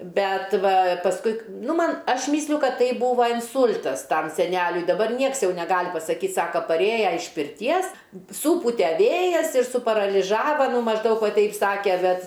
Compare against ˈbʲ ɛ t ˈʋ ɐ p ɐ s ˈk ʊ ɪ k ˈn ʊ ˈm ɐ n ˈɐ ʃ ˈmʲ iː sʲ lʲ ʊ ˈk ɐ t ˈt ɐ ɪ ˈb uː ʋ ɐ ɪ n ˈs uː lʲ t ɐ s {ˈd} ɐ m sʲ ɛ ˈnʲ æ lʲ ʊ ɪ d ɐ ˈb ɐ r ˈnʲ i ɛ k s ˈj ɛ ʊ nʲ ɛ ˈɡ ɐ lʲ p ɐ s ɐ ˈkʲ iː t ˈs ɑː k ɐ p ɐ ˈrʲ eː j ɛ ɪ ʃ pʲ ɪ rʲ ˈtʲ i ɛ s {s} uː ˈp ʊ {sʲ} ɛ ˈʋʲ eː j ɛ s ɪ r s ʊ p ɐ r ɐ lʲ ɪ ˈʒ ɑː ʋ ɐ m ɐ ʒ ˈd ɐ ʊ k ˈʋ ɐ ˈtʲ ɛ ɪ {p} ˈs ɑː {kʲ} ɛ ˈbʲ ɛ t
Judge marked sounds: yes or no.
no, yes, no, yes, yes

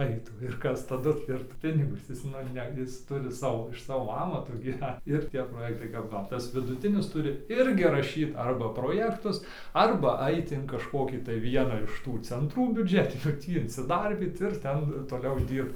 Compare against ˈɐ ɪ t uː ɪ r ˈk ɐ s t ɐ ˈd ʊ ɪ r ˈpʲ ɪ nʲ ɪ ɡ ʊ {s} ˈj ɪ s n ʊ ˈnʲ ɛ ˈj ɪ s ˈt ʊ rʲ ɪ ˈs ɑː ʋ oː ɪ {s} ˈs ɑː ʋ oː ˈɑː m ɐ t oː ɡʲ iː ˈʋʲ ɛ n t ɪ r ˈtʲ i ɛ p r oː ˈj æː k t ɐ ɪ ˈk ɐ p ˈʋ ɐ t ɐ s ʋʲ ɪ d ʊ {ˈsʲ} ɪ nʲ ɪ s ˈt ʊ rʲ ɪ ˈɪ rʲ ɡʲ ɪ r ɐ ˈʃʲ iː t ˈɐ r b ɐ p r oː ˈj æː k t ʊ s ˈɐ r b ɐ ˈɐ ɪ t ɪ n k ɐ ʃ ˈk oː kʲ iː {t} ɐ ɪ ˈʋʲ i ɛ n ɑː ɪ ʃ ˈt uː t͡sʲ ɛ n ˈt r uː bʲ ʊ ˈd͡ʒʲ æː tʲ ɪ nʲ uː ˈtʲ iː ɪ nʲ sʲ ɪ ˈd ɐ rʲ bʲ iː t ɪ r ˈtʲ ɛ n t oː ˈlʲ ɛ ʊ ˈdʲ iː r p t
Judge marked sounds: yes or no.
yes, no, no, yes

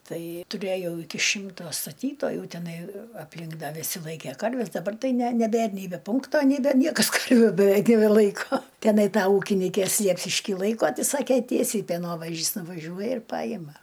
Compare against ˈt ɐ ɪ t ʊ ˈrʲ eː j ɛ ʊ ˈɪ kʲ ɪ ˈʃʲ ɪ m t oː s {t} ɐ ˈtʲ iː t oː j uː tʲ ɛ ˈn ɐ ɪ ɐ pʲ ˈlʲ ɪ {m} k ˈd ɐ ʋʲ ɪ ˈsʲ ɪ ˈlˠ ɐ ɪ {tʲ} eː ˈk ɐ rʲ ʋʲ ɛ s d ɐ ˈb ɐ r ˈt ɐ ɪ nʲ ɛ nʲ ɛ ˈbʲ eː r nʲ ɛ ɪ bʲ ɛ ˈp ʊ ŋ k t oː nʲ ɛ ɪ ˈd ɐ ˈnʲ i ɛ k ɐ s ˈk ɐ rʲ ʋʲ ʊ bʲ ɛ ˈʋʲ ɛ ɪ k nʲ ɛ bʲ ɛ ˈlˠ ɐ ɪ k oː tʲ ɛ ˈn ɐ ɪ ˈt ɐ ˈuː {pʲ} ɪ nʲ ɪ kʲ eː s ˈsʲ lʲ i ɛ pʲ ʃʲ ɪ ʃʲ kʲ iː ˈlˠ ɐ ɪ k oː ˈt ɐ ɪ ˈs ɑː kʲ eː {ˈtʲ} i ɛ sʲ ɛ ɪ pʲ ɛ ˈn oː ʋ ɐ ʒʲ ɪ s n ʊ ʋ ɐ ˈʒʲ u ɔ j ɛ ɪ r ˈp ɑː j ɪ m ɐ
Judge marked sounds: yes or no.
yes, no, no, no, yes

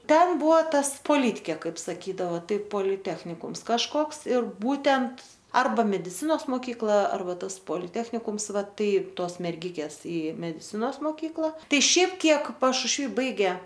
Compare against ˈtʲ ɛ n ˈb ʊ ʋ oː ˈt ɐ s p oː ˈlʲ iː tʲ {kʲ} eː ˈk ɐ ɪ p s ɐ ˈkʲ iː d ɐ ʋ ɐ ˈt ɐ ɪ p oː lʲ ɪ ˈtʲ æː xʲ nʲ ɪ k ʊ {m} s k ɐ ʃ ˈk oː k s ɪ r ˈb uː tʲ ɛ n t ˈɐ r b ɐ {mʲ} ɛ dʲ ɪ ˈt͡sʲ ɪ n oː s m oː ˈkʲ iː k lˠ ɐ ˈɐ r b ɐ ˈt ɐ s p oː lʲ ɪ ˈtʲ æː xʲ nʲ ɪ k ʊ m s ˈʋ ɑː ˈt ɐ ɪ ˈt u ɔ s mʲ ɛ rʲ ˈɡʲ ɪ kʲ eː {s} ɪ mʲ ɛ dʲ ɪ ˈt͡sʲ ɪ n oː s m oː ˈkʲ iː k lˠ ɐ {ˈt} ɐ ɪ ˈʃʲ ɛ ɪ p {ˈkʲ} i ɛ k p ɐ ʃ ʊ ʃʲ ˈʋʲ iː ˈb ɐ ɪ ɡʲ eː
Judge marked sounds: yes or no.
yes, yes, yes, yes, yes, yes

